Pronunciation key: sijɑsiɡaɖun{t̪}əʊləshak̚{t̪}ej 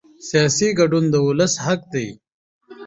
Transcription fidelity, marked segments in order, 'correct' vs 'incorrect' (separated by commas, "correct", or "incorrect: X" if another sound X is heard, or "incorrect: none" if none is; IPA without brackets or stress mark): incorrect: d̪, incorrect: d̪